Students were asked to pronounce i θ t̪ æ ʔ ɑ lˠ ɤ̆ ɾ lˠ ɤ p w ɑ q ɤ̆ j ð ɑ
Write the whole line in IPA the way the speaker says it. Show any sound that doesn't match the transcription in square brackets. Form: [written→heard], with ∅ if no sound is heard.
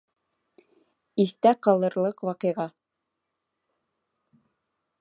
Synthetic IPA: i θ t̪ æ [ʔ→q] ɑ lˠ ɤ̆ ɾ lˠ ɤ [p→q] w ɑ q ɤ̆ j [ð→ʁ] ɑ